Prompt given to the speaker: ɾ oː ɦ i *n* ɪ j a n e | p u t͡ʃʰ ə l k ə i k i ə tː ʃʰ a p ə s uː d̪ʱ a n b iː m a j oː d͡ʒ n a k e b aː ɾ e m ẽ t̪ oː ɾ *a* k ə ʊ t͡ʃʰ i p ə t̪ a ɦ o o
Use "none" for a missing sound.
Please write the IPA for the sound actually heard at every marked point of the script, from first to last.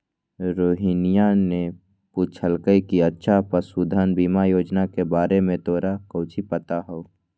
n, a

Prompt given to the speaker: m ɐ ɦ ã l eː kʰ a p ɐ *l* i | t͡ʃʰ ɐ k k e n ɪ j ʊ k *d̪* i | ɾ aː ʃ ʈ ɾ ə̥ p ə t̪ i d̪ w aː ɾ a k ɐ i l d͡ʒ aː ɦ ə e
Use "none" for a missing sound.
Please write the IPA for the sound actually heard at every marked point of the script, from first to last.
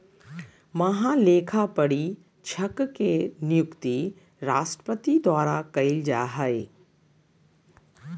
ɽ, t̪

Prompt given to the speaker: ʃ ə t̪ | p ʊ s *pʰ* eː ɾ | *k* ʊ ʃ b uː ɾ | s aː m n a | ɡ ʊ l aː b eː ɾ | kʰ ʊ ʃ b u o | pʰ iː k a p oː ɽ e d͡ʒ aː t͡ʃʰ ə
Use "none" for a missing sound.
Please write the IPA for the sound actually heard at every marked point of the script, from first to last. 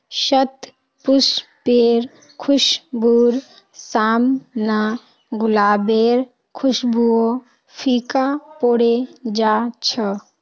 p, kʰ

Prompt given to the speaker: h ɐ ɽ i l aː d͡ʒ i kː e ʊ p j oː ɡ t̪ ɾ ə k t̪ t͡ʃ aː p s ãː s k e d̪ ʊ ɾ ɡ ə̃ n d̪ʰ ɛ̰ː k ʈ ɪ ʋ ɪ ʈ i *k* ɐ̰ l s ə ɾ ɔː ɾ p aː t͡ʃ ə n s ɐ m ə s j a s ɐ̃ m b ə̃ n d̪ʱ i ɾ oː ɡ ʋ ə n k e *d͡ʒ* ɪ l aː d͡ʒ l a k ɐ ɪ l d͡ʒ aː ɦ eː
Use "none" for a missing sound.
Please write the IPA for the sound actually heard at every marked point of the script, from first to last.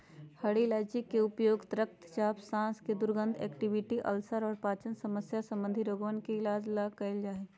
ʔ, none

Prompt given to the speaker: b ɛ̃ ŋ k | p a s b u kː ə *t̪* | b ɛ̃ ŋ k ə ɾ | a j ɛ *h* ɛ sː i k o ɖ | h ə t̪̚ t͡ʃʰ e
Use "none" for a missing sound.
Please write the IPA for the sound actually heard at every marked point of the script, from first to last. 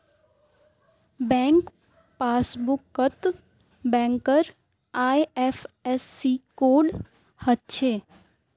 t̪, f

